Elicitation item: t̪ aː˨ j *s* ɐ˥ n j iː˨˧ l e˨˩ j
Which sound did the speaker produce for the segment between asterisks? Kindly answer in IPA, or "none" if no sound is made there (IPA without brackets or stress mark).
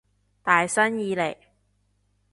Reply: s